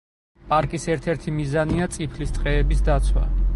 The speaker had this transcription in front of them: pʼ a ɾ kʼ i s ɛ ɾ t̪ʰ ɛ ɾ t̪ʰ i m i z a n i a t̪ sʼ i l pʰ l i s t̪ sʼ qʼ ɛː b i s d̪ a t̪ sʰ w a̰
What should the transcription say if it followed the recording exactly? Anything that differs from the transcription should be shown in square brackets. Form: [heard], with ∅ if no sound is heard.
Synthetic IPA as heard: pʼ a ɾ kʼ i s ɛ ɾ t̪ʰ ɛ ɾ t̪ʰ i m i z a n i a t̪ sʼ i [∅] pʰ l i s t̪ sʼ qʼ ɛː b i s d̪ a t̪ sʰ w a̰